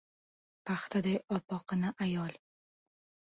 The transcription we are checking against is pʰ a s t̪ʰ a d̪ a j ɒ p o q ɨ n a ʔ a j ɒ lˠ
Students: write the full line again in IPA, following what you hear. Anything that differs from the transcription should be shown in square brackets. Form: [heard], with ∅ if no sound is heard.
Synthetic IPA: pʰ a [χ] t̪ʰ a d̪ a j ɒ p [ɒ] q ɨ n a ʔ a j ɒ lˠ